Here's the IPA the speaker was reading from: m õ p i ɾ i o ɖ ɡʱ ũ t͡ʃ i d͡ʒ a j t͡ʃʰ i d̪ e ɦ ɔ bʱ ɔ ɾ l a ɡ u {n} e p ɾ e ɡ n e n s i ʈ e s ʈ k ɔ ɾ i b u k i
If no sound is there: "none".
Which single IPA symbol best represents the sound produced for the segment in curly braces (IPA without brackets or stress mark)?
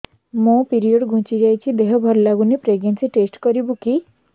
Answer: n